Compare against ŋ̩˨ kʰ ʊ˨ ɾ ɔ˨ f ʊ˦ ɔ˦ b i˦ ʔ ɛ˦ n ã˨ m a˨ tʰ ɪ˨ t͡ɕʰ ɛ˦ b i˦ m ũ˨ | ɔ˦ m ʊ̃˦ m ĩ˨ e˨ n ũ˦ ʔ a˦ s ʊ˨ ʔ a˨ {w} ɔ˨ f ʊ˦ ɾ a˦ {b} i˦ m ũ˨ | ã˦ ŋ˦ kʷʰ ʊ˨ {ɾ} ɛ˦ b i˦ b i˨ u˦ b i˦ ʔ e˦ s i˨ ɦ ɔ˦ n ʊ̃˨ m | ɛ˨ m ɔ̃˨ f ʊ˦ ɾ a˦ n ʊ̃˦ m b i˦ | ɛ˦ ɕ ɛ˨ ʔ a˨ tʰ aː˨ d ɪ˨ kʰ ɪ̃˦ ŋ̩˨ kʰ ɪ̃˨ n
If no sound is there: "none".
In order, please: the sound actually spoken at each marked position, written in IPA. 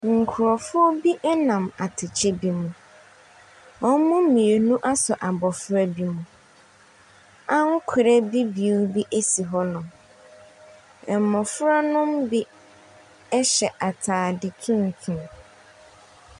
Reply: b, b, ɾ

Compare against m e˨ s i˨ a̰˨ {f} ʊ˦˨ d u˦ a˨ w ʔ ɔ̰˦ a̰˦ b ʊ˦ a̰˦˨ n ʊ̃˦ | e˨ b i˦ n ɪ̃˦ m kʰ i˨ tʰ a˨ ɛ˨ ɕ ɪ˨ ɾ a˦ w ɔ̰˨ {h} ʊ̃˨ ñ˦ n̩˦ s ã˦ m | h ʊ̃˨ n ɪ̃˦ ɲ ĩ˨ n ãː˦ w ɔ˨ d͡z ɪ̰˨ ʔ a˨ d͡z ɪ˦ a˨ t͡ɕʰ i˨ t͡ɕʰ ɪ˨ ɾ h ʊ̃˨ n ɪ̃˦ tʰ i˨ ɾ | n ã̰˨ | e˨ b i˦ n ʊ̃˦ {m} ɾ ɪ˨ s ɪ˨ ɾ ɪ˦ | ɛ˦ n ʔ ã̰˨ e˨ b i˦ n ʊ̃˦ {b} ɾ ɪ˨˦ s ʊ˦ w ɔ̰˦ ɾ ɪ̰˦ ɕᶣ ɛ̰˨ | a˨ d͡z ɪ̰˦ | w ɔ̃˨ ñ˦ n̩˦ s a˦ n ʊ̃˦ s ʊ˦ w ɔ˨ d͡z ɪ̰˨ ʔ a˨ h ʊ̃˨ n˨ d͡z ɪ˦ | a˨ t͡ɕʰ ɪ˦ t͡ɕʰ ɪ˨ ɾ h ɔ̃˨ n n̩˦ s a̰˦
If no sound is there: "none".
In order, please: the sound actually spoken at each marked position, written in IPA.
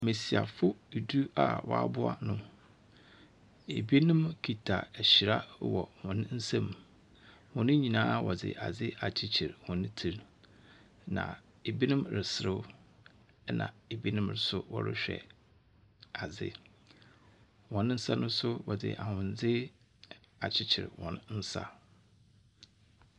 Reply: f, h, m, m

